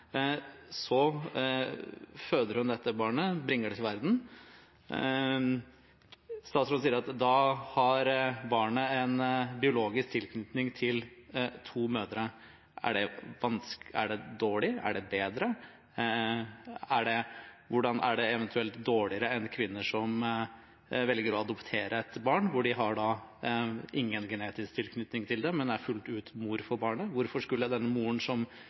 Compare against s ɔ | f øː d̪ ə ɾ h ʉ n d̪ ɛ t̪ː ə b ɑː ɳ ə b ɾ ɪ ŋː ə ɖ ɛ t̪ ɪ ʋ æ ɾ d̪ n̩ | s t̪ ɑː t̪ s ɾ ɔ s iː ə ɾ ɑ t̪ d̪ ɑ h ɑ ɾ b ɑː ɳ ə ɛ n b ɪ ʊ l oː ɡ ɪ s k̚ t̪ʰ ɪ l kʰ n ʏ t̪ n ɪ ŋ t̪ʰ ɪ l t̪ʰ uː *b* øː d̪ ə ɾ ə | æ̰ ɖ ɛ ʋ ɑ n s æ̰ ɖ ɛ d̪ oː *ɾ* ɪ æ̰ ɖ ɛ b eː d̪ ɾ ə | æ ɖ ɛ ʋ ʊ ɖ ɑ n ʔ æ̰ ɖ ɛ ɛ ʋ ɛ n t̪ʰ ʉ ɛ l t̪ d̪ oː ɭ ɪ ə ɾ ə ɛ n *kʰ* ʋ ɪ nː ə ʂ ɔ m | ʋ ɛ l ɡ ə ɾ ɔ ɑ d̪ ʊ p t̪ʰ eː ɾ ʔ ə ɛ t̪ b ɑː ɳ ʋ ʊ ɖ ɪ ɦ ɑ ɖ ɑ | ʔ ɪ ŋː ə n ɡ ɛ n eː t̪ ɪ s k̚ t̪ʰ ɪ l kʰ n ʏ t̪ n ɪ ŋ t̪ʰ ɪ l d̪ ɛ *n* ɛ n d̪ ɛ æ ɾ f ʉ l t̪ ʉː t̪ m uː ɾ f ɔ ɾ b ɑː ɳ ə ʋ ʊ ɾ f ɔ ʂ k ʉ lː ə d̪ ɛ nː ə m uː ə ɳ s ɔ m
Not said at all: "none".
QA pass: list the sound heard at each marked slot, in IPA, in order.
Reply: m, ɭ, kʰ, m

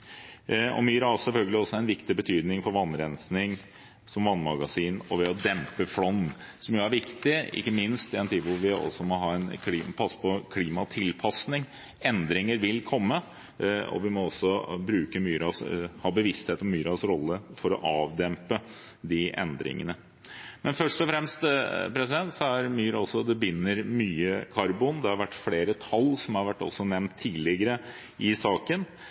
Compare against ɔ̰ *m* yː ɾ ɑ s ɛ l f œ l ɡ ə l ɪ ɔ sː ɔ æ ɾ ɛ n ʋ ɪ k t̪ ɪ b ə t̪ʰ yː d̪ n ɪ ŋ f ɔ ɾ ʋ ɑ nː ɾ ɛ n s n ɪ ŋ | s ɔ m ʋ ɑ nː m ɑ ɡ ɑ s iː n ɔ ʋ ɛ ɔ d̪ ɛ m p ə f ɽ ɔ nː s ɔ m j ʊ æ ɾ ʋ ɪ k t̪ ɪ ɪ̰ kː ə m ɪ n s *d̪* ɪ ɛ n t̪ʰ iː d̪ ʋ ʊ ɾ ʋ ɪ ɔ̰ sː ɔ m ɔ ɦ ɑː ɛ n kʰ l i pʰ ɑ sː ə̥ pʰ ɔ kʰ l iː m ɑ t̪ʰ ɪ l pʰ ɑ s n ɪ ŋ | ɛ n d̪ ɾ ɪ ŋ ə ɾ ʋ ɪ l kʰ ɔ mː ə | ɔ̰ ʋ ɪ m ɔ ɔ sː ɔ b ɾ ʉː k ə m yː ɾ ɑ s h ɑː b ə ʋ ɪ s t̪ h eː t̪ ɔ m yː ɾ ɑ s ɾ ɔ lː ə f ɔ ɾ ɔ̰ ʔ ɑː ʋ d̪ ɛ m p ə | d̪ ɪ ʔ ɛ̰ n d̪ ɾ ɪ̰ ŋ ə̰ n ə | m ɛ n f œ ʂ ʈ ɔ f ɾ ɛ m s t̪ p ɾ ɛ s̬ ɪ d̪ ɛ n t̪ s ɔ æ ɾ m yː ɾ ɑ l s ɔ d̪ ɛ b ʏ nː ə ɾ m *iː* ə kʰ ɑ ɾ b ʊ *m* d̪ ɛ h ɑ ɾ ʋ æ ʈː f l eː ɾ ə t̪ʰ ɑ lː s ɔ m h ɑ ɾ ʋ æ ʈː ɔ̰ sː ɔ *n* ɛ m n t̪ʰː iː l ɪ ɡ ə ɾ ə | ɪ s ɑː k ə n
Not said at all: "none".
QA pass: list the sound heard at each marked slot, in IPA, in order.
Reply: m, t̪, yː, n, n

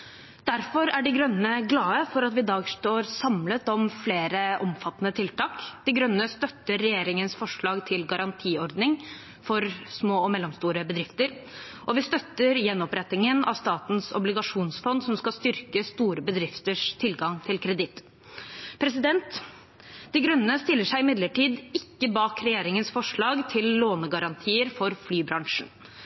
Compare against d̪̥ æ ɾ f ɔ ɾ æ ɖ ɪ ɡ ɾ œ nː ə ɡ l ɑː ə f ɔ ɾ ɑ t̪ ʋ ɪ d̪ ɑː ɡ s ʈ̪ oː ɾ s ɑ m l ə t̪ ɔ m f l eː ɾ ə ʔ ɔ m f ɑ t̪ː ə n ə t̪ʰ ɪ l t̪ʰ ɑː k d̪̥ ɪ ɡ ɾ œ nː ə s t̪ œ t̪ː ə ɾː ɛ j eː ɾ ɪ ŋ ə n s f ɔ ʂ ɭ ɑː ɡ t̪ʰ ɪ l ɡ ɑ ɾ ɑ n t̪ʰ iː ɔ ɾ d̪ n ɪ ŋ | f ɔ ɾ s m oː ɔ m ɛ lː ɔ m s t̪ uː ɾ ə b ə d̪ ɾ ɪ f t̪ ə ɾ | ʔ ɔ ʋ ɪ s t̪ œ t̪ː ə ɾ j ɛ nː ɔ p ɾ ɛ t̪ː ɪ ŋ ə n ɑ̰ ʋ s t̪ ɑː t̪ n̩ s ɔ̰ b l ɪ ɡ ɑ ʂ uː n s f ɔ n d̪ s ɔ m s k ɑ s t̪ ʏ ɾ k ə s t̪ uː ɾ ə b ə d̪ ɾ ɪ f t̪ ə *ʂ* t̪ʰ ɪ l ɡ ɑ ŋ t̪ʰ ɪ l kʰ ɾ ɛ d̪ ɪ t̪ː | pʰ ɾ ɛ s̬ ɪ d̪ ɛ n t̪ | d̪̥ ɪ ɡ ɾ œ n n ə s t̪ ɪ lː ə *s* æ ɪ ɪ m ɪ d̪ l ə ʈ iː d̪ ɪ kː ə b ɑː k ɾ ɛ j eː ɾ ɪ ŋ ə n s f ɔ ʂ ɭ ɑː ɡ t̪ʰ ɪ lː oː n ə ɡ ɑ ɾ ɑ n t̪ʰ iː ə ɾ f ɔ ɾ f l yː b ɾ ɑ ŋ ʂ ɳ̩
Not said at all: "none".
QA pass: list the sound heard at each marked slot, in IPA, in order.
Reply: ʂ, ʂ

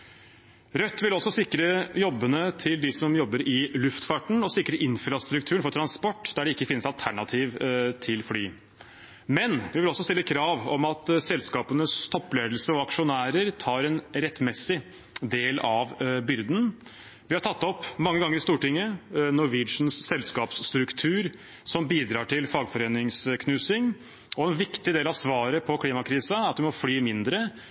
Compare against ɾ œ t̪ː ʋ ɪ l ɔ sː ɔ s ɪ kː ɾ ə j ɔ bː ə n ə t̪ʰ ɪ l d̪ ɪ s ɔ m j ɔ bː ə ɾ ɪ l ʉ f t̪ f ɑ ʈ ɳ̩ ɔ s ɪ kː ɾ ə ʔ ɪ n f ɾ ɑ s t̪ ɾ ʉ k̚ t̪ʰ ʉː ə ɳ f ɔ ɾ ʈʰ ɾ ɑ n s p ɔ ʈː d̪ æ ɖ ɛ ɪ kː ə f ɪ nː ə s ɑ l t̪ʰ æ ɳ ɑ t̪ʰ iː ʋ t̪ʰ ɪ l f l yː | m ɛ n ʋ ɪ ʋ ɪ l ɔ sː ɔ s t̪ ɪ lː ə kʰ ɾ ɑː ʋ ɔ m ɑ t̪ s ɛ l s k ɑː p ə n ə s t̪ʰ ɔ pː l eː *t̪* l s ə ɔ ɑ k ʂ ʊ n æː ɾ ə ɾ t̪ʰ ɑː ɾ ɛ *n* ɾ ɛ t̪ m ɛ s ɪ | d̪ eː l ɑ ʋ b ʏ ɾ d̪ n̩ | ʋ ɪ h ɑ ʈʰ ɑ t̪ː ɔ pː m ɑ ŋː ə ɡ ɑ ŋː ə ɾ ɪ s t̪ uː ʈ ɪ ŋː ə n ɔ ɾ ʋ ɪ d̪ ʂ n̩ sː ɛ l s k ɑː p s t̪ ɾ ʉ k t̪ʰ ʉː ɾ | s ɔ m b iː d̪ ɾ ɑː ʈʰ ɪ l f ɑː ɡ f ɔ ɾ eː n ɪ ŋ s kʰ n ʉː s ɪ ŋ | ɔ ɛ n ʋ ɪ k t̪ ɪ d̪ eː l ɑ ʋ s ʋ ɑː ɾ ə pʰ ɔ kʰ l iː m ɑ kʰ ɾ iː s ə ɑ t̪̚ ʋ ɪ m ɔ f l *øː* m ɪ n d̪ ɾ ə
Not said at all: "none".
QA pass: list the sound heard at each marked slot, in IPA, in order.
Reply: d̪, n, yː

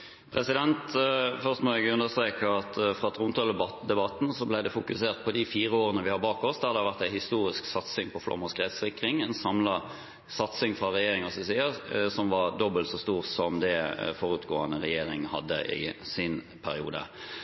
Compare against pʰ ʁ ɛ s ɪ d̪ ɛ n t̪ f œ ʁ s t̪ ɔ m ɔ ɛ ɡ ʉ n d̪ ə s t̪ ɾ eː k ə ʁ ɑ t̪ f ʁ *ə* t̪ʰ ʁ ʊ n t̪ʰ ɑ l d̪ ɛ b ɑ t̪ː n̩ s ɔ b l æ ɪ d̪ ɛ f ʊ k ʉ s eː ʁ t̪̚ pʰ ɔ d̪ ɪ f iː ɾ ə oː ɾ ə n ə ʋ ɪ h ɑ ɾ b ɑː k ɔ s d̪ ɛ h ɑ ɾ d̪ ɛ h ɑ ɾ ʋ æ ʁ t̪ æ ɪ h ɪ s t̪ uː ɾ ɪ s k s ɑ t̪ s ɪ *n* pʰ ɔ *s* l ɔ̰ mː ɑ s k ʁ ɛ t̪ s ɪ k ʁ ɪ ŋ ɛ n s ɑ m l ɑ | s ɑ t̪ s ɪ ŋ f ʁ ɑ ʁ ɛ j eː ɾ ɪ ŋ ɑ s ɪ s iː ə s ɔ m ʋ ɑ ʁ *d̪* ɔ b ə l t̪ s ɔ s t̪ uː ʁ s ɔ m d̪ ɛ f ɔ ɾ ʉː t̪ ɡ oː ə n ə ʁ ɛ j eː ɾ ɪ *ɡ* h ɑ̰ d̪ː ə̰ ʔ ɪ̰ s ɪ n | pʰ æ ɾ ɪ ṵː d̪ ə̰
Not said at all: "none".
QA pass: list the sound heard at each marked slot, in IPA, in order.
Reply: ɑ, ŋ, f, d̪, ŋ

